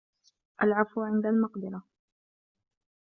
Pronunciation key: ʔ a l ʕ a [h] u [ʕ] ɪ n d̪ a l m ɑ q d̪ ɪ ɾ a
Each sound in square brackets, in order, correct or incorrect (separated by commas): incorrect, correct